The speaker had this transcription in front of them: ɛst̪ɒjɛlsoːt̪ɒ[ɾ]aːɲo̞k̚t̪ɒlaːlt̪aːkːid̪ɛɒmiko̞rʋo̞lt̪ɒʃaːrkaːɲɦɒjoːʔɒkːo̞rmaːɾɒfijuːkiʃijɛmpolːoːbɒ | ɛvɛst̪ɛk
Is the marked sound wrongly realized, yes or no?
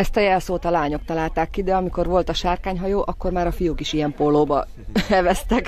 yes